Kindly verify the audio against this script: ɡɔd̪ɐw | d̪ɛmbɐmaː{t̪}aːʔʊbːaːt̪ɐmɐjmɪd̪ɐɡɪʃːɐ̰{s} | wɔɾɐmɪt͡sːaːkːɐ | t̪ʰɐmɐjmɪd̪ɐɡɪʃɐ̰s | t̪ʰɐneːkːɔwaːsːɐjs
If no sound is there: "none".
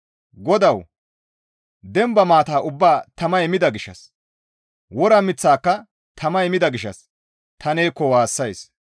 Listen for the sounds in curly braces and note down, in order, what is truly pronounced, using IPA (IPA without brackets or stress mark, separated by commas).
t̪, s